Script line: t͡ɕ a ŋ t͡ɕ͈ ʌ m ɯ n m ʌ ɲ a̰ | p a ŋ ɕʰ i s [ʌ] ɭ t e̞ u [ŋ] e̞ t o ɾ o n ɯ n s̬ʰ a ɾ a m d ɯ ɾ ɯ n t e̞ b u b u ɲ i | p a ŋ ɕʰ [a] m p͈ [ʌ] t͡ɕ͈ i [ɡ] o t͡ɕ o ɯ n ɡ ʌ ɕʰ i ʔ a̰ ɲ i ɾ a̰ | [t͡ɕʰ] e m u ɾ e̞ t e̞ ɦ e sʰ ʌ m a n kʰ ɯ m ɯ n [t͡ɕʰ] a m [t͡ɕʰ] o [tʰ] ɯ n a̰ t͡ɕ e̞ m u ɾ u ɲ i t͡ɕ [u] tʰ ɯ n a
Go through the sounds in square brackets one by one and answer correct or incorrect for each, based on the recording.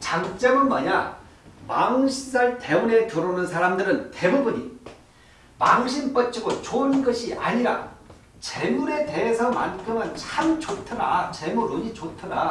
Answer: incorrect: a, incorrect: n, incorrect: i, correct, correct, incorrect: t͡ɕ, correct, incorrect: t͡ɕ, correct, incorrect: o

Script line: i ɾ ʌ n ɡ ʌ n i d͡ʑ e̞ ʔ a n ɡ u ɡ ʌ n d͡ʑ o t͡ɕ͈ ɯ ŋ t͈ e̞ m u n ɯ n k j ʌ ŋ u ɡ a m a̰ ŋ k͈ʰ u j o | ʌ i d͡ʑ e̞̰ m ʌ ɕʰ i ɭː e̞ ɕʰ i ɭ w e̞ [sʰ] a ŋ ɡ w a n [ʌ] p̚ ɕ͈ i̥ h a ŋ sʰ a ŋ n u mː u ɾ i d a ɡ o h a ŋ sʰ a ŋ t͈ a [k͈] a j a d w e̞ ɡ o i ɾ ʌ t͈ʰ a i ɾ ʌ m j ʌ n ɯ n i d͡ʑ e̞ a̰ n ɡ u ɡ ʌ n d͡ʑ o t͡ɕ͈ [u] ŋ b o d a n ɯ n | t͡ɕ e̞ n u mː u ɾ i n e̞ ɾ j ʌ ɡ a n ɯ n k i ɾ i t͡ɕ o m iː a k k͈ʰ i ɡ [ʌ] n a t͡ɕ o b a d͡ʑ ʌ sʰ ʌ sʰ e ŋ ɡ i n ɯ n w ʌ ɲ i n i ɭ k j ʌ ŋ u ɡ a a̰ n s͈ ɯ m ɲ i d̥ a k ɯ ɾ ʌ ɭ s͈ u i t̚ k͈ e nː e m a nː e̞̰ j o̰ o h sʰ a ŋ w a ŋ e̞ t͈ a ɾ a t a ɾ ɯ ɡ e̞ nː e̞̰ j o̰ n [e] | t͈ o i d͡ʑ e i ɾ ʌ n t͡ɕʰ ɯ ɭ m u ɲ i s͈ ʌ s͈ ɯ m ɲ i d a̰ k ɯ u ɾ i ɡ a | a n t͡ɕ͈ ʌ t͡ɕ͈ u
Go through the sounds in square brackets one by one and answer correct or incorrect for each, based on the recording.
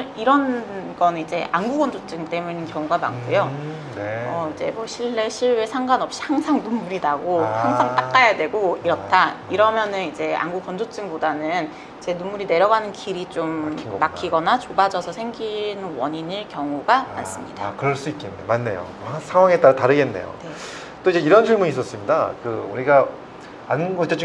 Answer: correct, correct, correct, incorrect: ɯ, correct, correct

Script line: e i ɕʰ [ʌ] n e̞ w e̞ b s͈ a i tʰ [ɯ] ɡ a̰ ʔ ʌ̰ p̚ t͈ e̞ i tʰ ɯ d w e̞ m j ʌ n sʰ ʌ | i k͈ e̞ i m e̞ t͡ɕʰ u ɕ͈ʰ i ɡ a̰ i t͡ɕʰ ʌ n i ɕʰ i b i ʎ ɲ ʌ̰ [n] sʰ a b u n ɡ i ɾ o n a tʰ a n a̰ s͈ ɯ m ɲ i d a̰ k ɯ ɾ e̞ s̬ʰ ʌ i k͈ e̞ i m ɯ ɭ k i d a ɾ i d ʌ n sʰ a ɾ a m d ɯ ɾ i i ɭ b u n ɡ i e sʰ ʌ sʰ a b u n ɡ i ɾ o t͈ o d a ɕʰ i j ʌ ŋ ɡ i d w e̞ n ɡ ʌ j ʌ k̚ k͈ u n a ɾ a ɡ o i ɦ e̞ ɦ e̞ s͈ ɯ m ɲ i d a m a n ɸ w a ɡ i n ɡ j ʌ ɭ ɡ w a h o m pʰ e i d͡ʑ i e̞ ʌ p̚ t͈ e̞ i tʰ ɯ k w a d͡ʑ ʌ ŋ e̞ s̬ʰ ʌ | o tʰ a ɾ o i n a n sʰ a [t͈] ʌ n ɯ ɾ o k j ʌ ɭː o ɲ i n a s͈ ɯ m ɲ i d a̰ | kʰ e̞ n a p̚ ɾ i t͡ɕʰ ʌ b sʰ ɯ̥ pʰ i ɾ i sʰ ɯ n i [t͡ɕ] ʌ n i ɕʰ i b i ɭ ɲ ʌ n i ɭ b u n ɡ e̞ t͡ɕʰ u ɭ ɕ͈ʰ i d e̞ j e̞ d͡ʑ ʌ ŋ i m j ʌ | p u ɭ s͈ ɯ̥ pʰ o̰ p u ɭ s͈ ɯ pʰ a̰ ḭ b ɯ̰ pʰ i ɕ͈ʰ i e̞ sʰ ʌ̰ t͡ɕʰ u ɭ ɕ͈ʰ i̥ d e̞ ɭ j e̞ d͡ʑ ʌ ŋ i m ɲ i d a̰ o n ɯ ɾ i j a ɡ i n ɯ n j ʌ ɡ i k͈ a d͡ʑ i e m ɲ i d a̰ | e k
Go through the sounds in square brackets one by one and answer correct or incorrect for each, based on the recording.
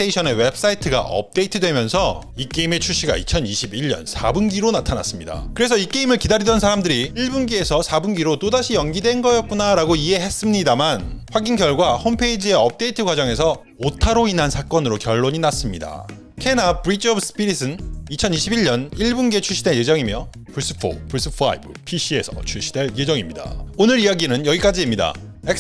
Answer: correct, correct, correct, incorrect: k͈, incorrect: t͡ɕʰ

